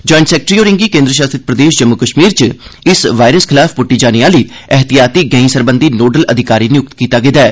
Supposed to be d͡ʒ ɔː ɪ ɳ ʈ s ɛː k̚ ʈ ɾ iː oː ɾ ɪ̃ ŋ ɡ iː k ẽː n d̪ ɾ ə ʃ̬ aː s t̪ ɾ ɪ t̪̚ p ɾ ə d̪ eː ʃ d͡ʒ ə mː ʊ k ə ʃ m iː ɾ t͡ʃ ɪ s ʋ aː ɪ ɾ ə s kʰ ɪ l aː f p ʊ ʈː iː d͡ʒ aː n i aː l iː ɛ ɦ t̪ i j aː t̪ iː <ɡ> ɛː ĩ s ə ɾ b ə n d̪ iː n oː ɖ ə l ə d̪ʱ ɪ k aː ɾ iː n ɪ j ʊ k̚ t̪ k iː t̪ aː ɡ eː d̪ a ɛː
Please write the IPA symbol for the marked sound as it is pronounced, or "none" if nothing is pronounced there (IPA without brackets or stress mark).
ɡ